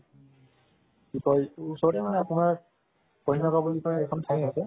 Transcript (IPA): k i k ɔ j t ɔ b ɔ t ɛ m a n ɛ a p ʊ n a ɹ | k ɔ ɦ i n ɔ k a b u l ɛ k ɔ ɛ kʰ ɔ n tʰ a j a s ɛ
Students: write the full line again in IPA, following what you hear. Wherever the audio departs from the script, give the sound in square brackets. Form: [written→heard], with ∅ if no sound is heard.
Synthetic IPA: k i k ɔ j [t→s] ɔ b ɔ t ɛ m a n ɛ a p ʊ n a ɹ | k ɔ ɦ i n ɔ k a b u l [ɛ→i] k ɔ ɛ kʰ ɔ n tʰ a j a s ɛ